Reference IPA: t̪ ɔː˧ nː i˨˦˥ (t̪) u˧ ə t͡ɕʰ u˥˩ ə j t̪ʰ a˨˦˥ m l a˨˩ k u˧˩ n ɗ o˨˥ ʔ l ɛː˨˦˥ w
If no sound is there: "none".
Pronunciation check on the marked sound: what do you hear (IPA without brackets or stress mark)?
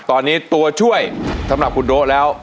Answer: t̪